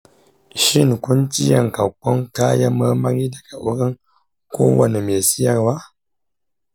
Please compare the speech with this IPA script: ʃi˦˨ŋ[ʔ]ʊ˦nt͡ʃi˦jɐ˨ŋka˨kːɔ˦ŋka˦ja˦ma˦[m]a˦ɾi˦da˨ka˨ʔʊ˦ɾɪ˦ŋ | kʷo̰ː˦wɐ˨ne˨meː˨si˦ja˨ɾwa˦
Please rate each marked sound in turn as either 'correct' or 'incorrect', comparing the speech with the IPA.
incorrect: k, correct

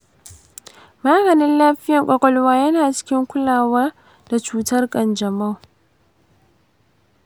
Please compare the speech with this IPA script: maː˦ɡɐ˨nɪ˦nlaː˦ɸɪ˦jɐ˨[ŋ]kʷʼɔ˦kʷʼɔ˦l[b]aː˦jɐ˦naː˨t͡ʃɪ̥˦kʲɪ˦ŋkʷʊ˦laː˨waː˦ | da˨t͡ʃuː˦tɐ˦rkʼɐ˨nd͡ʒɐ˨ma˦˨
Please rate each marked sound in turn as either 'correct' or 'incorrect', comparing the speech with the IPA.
correct, incorrect: w

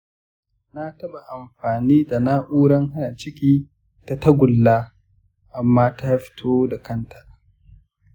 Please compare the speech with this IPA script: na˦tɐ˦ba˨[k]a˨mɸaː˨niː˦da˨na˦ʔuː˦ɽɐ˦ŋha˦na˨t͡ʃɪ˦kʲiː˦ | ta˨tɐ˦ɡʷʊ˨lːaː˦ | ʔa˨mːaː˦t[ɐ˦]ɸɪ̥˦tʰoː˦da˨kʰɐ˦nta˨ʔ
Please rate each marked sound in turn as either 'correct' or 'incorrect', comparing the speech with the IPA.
incorrect: ʔ, incorrect: a˦

